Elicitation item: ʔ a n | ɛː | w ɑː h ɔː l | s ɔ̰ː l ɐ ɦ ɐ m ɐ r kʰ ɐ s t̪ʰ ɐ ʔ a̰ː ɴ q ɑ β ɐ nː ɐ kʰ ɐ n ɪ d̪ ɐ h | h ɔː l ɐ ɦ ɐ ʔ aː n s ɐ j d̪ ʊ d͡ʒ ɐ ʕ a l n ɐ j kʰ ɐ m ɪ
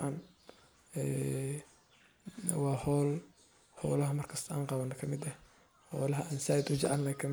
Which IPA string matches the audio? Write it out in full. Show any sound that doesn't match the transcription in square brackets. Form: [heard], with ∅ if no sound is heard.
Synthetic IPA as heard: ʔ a n | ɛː | w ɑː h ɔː l | [h] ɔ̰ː l ɐ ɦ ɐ m ɐ r kʰ ɐ s t̪ʰ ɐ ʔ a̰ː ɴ q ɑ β ɐ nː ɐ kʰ ɐ [m] ɪ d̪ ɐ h | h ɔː l ɐ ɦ ɐ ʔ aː n s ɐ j d̪ ʊ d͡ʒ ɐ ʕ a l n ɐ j kʰ ɐ m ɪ